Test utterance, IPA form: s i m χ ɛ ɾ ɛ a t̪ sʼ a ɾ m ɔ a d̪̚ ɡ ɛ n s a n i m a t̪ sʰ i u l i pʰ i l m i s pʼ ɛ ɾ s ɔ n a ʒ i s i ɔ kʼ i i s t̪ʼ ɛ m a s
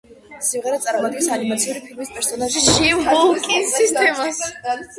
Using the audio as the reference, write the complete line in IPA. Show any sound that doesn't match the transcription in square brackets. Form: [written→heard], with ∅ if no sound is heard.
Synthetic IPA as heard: s i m [χ→ʁ] ɛ ɾ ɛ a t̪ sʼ a ɾ m ɔ a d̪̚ ɡ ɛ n s a n i m a t̪ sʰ i u [l→ɾ] i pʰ i l m i s pʼ ɛ ɾ s ɔ n a ʒ i [s→ʃ] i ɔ kʼ i i s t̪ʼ ɛ m a s